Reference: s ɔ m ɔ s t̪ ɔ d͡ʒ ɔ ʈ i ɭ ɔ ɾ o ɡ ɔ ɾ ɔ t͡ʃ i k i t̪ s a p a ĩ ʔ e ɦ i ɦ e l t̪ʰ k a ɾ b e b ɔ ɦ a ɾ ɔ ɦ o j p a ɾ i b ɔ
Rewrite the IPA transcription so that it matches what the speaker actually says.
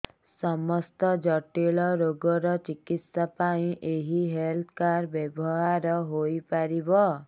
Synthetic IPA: s ɔ m ɔ s t̪ ɔ d͡ʒ ɔ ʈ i ɭ ɔ ɾ o ɡ ɔ ɾ ɔ t͡ʃ i k i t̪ s a p a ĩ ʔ e ɦ i ɦ e l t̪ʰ k a ɾ b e b ɔ ɦ a ɾ ɔ ɦ o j p a ɾ i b ɔ